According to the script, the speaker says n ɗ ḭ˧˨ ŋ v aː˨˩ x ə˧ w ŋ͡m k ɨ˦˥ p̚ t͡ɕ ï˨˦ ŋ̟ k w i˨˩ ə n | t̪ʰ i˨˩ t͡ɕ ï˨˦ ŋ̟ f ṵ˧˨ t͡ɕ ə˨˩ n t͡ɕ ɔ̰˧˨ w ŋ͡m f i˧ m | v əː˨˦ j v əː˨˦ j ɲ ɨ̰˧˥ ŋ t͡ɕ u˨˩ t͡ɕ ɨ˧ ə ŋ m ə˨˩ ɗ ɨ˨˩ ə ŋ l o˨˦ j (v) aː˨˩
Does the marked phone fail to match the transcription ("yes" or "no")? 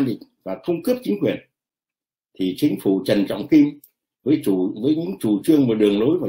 no